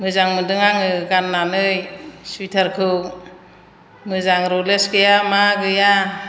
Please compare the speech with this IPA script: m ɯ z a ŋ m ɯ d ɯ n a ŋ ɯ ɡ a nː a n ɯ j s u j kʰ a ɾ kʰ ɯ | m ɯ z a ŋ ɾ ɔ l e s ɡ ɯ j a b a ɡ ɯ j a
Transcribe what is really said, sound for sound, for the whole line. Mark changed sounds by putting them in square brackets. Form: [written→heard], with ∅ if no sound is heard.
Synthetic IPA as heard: m ɯ z a ŋ m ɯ d ɯ [n→ŋ] a ŋ ɯ ɡ a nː a n ɯ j s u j [kʰ→tʰ] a ɾ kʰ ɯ | m ɯ z a ŋ ɾ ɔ l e s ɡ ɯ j a [b→m] a ɡ ɯ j a